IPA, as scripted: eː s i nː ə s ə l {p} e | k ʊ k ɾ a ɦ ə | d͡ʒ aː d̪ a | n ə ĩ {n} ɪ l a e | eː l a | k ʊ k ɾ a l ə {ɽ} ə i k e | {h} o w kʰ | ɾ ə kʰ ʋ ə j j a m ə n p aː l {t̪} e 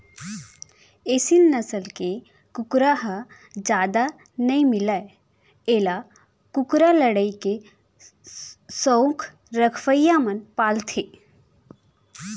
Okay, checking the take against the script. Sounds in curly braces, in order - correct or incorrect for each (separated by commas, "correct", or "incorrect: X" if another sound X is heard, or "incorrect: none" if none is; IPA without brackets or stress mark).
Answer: incorrect: k, incorrect: m, correct, incorrect: s, incorrect: t̪ʰ